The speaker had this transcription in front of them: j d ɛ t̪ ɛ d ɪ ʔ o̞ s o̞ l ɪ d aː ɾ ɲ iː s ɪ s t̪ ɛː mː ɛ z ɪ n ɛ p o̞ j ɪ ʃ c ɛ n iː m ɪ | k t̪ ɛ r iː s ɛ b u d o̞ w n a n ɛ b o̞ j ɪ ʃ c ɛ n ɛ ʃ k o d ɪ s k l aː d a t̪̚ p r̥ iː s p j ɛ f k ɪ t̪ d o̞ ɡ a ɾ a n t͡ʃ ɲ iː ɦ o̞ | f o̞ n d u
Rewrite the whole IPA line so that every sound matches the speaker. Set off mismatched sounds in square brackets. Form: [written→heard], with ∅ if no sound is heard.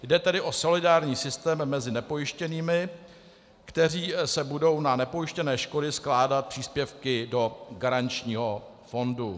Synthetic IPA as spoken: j d ɛ t̪ ɛ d ɪ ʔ o̞ s o̞ l ɪ d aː ɾ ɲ iː s ɪ s t̪ ɛː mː ɛ z ɪ n ɛ p o̞ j ɪ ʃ c ɛ n iː m ɪ | k t̪ ɛ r iː s ɛ b u d o̞ w n a n ɛ [b→p] o̞ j ɪ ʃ c ɛ n [ɛ→ɛː] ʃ k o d ɪ s k l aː d a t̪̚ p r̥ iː s p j ɛ f k ɪ [t̪→∅] d o̞ ɡ a ɾ a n t͡ʃ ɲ iː ɦ o̞ | f o̞ n d u

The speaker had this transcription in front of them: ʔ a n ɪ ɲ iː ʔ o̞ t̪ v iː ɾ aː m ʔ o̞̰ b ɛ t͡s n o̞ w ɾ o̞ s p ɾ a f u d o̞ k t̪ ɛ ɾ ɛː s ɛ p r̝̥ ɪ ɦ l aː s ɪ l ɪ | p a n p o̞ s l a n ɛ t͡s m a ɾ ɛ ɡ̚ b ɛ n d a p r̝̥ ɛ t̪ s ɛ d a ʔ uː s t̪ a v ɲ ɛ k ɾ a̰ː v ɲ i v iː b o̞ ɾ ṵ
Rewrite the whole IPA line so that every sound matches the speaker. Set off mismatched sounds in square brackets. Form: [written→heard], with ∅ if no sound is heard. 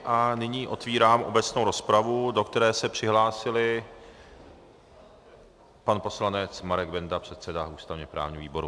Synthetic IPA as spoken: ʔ a n ɪ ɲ iː ʔ o̞ t̪ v iː ɾ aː m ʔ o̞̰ b ɛ t͡s n o̞ w ɾ o̞ s p ɾ a [f→v] u d o̞ k t̪ ɛ ɾ ɛː s ɛ p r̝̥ ɪ ɦ l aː s ɪ l ɪ | p a n p o̞ s l a n ɛ t͡s m a ɾ ɛ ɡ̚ b ɛ n d a p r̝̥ ɛ t̪ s ɛ d a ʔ uː s t̪ a v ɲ ɛ [k→p] ɾ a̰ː v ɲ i v iː b o̞ ɾ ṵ

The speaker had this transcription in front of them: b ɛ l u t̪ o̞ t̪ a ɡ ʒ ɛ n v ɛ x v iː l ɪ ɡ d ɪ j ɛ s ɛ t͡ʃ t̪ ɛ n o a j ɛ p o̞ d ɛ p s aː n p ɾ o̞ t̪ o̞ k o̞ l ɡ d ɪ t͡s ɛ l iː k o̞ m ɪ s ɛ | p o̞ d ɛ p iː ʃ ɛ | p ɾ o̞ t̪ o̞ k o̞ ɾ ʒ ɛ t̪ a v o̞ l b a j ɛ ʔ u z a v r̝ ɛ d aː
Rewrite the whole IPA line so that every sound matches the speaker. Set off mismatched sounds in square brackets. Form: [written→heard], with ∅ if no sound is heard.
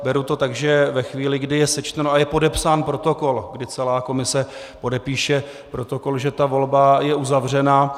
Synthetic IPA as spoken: b ɛ [l→ɾ] u t̪ o̞ t̪ a ɡ ʒ ɛ [n→∅] v ɛ x v iː l ɪ ɡ d ɪ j ɛ s ɛ t͡ʃ t̪ ɛ n o a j ɛ p o̞ d ɛ p s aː n p ɾ o̞ t̪ o̞ k o̞ l ɡ d ɪ t͡s ɛ l [iː→aː] k o̞ m ɪ s ɛ | p o̞ d ɛ p iː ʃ ɛ | p ɾ o̞ t̪ o̞ k o̞ [ɾ→l] ʒ ɛ t̪ a v o̞ l b a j ɛ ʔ u z a v r̝ ɛ [d→n] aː

